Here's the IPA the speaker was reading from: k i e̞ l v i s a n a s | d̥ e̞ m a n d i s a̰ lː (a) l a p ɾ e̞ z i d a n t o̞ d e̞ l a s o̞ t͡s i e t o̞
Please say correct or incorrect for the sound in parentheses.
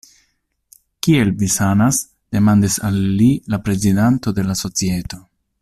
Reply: incorrect